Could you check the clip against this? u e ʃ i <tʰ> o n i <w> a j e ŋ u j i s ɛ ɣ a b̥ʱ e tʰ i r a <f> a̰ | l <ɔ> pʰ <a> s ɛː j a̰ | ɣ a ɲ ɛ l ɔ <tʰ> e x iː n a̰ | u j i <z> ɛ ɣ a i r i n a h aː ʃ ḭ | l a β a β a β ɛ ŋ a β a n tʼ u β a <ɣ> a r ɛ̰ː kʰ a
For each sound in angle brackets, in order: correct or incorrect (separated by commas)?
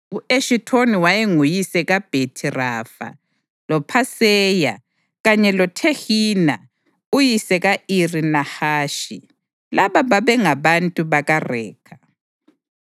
correct, correct, correct, correct, correct, correct, incorrect, correct